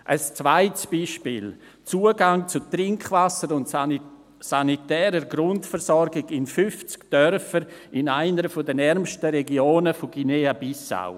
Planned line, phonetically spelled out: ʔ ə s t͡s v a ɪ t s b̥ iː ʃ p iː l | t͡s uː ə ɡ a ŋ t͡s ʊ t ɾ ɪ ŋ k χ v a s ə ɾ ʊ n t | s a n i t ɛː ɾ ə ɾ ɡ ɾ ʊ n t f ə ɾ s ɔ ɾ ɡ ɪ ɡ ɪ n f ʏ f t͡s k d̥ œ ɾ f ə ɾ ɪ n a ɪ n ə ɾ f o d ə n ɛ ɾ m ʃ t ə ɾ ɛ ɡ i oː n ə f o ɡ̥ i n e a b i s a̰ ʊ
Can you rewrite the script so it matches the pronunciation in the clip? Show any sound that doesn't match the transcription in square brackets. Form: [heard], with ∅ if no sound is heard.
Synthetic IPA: ʔ ə s t͡s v a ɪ t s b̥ iː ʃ p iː l | t͡s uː ə ɡ a ŋ t͡s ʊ t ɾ ɪ ŋ k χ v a s ə ɾ ʊ n t | s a n i t ɛː ɾ ə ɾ ɡ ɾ ʊ n t f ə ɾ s ɔ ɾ ɡ ɪ ɡ ɪ n f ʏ f t͡s k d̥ œ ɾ f ə ɾ ɪ n a ɪ n ə ɾ f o d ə n ɛ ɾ m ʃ t ə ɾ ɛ ɡ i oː n ə f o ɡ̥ i n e a b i s a̰ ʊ